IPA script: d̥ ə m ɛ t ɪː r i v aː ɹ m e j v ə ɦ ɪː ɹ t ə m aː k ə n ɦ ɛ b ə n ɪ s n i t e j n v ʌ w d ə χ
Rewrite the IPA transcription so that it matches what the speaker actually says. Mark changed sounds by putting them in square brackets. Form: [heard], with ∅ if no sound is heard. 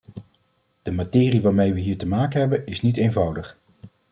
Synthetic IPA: d̥ ə m [a] t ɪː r i [ʋ] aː ɹ m e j [ʋ] ə ɦ [iː] ɹ t ə m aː k ə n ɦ ɛ b ə n ɪ s n i t e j n v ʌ w d ə χ